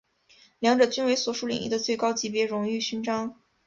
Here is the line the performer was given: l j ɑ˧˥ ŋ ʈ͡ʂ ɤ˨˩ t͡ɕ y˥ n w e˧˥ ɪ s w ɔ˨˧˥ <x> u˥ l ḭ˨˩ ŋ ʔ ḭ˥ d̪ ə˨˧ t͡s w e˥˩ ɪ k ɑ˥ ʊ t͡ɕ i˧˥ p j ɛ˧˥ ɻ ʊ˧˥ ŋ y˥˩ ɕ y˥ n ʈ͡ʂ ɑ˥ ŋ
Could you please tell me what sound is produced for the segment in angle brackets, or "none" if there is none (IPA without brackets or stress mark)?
ʂ